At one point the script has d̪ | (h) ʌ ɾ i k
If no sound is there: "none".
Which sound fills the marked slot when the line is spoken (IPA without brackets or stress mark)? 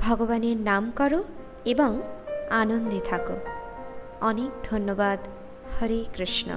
h